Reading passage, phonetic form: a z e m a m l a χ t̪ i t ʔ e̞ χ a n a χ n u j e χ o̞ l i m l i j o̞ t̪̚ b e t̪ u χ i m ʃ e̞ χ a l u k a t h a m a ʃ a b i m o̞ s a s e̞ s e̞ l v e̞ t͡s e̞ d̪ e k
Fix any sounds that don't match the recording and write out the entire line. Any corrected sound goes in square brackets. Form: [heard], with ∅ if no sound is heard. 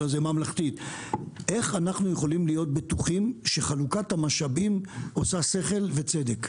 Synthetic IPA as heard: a z e m a m l a χ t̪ i t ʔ e̞ χ a n a χ n u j e χ o̞ l i m l i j o̞ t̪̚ b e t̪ u χ i m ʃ e̞ χ a l u k a t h a m a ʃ a b i m o̞ s a s e̞ [χ] e̞ l v e̞ t͡s e̞ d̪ e k